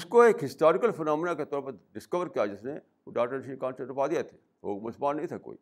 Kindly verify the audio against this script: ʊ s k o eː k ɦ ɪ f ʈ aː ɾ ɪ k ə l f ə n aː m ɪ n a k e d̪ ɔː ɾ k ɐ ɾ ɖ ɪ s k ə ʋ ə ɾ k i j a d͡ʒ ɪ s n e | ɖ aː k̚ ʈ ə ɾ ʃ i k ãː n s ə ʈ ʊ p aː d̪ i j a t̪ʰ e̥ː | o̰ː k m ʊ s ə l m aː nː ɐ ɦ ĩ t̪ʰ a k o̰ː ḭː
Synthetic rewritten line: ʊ s k o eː k ɦ ɪ s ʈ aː ɾ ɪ k ə l f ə n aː m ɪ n a k e t̪ ɔː ɾ p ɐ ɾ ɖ ɪ s k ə ʋ ə ɾ k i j a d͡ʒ ɪ s n e | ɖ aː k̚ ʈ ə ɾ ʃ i k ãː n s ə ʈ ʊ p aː d̪ i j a t̪ʰ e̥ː | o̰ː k m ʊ s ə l m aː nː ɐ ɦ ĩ t̪ʰ a k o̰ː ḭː